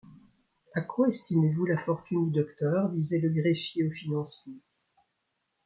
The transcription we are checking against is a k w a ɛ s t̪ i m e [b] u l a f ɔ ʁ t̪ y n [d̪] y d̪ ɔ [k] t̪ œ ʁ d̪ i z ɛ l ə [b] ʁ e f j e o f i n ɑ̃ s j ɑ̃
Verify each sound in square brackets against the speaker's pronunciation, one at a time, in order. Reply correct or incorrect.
incorrect, correct, correct, incorrect

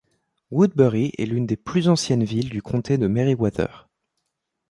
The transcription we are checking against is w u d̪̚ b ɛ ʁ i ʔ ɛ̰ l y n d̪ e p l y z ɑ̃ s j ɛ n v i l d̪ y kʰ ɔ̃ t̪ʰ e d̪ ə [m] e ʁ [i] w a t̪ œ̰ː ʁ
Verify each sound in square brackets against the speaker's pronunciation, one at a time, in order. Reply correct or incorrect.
correct, correct

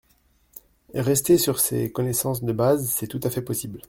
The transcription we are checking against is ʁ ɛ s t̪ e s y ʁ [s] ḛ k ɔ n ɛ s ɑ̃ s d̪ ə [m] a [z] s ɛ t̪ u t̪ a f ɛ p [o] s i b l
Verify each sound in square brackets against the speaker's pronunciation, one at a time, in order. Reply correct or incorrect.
correct, incorrect, correct, incorrect

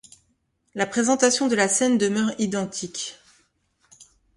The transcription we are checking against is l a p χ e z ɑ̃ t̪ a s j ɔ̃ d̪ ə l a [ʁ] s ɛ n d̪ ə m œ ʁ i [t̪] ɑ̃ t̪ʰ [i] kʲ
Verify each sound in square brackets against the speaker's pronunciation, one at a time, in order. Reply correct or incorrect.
incorrect, incorrect, correct

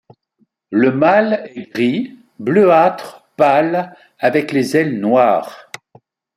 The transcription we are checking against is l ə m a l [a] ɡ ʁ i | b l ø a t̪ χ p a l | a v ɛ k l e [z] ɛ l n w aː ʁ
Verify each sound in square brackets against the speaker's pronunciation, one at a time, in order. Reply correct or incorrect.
incorrect, correct

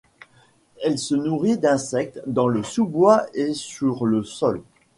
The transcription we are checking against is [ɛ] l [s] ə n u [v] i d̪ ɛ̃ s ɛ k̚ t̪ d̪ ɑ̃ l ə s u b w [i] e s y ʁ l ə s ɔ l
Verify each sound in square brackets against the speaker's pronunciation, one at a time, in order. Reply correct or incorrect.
correct, correct, incorrect, incorrect

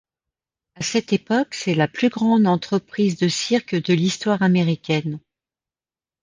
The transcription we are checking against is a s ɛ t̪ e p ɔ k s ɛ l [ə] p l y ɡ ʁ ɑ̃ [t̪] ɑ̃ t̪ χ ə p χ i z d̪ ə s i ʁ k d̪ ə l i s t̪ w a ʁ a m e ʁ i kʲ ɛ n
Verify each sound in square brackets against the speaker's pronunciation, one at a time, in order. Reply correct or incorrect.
incorrect, incorrect

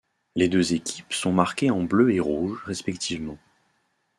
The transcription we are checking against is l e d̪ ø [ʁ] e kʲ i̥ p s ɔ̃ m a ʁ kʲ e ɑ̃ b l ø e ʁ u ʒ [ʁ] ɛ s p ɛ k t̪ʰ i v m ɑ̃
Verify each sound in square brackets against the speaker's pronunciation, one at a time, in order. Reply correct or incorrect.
incorrect, correct

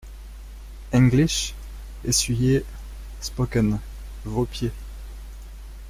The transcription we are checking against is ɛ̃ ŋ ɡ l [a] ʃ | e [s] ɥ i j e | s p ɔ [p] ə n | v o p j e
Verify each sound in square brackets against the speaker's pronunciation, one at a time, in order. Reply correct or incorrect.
incorrect, correct, incorrect

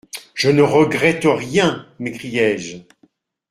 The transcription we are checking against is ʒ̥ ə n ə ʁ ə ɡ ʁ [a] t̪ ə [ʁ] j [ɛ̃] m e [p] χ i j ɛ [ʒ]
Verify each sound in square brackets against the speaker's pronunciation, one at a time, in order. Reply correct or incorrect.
incorrect, correct, correct, incorrect, correct

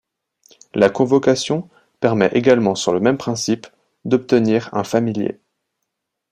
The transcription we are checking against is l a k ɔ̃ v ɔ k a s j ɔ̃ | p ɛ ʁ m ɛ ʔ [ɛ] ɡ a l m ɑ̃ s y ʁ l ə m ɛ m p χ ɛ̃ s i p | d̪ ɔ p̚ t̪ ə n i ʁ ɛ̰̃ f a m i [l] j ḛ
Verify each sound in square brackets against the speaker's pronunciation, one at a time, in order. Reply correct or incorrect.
incorrect, correct

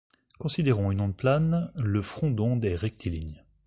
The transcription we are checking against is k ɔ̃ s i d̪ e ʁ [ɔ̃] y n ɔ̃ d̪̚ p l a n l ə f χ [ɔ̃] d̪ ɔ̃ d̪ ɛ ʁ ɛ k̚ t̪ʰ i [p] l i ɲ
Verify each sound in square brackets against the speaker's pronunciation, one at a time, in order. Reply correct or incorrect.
correct, correct, incorrect

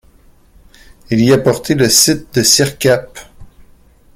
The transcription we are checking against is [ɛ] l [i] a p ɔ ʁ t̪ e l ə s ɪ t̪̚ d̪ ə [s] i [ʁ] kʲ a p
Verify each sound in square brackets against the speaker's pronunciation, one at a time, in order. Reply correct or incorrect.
incorrect, correct, correct, correct

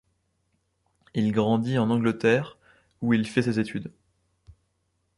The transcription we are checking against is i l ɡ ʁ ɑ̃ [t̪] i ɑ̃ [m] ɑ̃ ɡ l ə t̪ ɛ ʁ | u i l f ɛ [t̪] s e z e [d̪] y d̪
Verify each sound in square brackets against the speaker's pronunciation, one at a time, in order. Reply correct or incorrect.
incorrect, incorrect, incorrect, incorrect

